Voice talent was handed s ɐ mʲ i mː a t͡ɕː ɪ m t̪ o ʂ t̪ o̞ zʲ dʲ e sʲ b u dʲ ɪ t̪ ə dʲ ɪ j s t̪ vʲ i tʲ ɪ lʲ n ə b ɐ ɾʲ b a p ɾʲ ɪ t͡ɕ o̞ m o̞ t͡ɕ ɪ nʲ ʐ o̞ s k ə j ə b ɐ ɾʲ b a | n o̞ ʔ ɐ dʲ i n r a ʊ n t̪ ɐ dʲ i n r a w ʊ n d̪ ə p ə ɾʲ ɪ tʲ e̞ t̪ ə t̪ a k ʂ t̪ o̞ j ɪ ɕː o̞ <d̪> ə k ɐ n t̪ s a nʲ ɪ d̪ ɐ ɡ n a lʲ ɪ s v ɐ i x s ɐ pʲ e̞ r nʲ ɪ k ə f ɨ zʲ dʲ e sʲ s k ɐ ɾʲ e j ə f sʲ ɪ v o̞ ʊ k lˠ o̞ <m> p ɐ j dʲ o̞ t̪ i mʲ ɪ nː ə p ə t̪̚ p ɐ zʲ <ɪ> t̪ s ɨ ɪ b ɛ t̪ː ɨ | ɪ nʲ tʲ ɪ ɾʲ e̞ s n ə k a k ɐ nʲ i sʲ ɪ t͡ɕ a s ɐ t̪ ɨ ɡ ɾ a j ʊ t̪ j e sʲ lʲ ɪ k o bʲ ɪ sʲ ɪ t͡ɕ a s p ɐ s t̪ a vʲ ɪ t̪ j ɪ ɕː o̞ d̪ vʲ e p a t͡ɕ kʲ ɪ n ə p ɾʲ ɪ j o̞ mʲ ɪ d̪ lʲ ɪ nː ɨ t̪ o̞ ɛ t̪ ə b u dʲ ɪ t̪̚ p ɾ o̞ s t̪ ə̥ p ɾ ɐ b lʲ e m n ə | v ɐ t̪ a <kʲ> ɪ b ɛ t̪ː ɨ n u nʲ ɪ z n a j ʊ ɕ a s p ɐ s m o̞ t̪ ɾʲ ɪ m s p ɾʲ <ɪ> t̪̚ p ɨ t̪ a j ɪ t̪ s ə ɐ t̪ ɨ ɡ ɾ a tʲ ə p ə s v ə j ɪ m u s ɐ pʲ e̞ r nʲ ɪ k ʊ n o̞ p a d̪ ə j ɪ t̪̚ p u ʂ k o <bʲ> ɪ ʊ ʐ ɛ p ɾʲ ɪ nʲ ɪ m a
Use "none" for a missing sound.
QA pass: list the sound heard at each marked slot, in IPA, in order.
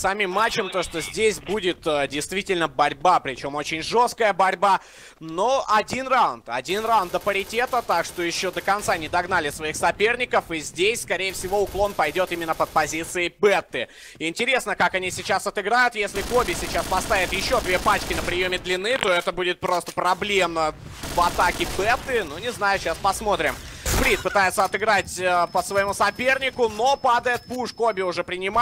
d̪, n, i, kʲ, i, bʲ

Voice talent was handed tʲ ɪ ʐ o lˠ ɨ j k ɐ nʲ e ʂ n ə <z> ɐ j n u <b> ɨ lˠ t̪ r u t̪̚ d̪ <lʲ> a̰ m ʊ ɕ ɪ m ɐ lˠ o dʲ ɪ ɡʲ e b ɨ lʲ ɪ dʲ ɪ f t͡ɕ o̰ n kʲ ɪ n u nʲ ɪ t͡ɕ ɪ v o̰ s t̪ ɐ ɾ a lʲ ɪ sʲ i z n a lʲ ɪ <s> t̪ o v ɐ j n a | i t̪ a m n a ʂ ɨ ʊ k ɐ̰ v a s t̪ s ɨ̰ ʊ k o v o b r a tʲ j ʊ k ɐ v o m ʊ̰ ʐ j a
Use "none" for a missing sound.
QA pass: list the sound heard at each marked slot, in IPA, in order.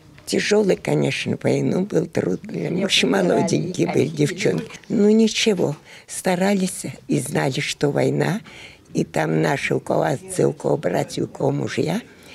v, b, lʲ, ʂ

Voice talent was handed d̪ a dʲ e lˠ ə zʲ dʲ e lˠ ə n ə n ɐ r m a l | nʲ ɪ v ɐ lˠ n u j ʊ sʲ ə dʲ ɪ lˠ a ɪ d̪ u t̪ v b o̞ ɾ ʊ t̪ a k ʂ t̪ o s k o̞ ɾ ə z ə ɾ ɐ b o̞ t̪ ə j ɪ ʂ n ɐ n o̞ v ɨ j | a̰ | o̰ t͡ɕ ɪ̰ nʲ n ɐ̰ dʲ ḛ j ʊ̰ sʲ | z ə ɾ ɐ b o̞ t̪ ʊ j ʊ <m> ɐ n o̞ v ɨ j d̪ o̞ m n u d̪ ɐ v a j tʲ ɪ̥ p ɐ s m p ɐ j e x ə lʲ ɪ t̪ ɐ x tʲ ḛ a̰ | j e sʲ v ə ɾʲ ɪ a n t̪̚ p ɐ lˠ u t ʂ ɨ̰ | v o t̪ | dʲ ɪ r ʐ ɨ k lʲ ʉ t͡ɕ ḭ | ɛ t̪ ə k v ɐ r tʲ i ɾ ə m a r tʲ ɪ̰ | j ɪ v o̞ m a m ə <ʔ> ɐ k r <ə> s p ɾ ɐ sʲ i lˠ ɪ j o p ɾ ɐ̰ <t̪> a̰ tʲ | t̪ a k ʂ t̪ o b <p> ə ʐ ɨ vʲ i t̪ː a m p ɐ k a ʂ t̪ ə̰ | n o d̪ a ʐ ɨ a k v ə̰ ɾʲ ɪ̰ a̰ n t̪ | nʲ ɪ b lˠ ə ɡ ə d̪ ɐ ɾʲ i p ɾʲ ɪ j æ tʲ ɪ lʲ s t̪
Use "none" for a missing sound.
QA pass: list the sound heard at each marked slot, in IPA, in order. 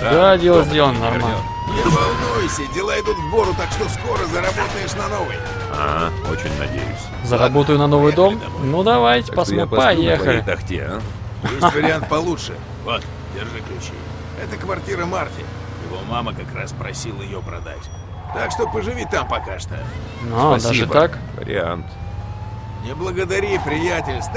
n, k, a, d̪, p

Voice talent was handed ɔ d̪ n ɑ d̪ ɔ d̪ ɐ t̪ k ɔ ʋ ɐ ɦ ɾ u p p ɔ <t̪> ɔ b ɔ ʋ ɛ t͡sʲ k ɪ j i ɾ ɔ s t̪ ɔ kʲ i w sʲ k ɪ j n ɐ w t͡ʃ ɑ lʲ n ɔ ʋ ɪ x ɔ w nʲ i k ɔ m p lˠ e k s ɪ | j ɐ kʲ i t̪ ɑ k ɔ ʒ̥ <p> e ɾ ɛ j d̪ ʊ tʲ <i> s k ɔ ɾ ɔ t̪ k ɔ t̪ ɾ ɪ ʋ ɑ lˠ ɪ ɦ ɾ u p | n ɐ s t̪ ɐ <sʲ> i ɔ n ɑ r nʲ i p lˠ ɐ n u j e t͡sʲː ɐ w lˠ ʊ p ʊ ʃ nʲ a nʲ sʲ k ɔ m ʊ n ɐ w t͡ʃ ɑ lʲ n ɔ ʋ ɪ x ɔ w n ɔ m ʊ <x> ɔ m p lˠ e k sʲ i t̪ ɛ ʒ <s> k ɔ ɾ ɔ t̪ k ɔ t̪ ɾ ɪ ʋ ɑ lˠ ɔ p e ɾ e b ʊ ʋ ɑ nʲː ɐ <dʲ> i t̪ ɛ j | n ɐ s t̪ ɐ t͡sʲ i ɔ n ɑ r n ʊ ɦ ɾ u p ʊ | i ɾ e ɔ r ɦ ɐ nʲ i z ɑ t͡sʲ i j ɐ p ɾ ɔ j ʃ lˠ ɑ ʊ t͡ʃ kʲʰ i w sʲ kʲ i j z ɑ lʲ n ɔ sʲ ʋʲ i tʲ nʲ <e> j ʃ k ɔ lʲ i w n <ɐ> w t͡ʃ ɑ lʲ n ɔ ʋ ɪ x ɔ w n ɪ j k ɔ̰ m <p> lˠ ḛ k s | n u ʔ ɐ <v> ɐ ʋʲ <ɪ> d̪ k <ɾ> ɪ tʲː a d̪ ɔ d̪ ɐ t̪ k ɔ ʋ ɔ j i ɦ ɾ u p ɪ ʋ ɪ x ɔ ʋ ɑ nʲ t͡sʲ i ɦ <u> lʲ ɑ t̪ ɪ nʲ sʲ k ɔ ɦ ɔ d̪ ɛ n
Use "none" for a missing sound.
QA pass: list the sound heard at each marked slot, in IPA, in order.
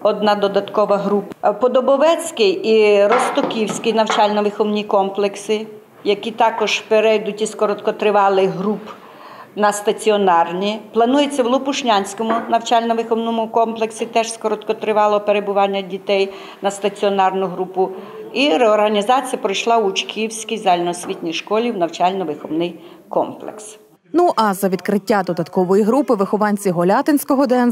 d̪, p, i, t͡sʲ, k, s, dʲ, i, ɐ, p, z, i, ɾ, ɔ

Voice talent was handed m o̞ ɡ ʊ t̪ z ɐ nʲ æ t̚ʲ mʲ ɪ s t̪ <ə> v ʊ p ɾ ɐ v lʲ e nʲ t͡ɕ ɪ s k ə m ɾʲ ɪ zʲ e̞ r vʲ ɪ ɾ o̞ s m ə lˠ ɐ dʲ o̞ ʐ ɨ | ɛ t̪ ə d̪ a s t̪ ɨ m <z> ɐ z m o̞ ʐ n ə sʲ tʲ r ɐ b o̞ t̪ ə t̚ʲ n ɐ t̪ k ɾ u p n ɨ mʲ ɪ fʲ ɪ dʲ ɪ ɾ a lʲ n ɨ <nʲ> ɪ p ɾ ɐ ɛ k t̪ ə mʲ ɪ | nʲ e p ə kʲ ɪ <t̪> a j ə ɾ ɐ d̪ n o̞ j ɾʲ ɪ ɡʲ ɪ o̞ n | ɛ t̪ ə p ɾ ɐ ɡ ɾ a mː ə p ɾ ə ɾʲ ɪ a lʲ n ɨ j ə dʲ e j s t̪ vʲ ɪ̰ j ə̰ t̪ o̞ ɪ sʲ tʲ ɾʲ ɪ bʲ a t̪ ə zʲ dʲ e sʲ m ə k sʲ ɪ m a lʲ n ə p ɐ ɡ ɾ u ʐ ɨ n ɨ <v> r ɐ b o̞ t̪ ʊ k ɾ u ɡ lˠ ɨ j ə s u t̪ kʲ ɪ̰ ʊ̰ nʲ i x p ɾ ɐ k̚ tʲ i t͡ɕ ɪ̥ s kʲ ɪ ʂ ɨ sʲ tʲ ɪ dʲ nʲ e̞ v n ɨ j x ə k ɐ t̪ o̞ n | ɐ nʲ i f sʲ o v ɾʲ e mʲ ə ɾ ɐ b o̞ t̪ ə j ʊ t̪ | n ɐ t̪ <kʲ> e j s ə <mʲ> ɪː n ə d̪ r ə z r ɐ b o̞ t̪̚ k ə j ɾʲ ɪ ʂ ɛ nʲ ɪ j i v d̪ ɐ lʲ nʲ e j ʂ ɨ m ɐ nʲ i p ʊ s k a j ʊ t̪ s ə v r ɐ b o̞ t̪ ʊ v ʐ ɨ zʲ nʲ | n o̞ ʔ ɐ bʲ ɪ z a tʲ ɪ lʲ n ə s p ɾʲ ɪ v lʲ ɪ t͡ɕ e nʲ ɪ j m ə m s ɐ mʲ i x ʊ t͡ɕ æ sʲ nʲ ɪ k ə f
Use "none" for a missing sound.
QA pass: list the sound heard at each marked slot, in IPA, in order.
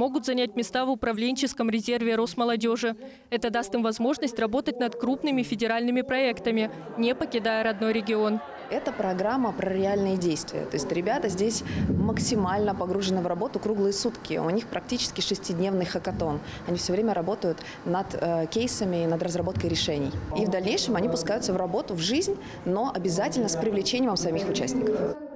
a, v, mʲ, d̪, v, kʲ, mʲ

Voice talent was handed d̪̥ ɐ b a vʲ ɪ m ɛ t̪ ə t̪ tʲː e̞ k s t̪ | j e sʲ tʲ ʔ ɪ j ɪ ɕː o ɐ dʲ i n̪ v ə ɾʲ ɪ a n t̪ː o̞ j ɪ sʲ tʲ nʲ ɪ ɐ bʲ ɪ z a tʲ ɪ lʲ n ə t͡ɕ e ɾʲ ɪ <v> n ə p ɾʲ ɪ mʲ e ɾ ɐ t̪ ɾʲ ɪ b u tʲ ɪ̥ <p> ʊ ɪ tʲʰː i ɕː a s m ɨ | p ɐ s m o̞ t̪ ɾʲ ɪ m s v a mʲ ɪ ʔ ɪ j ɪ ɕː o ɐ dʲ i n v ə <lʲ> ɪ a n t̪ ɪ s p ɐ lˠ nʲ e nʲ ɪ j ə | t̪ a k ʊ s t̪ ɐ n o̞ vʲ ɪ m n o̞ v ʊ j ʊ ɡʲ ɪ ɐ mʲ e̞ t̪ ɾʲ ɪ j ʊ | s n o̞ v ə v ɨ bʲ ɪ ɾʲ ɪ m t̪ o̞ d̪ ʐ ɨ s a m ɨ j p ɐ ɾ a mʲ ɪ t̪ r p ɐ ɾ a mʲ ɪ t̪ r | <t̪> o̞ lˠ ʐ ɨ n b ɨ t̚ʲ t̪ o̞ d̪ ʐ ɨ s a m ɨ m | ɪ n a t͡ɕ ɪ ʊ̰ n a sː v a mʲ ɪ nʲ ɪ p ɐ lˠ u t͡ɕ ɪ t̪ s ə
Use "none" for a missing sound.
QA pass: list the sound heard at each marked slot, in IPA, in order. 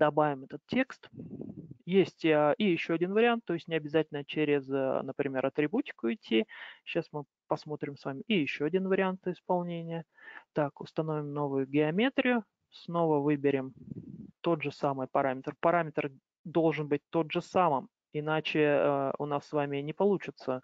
z, k, ɾʲ, d̪

